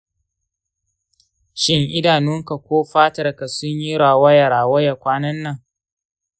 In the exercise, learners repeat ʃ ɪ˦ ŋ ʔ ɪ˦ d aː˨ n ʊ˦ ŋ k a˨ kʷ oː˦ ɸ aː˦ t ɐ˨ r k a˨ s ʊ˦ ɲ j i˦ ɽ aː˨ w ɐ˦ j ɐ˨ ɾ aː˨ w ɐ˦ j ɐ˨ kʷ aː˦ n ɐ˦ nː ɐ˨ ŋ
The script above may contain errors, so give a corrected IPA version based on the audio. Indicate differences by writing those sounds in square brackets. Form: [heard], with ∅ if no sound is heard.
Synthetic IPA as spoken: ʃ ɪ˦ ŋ ʔ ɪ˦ d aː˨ n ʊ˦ ŋ k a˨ kʷ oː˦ ɸ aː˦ t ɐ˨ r k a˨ s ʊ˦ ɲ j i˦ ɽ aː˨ w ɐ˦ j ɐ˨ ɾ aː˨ w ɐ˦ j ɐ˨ kʷ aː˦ n ɐ˦ nː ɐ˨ ŋ